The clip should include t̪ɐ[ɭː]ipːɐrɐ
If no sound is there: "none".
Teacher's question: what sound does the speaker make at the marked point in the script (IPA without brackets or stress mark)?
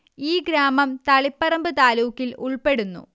ɭ